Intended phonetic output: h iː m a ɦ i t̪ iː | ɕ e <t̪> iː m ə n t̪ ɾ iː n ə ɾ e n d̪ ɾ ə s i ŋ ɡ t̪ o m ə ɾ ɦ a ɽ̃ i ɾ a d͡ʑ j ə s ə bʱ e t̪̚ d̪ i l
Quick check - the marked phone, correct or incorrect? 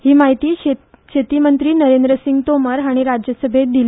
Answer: correct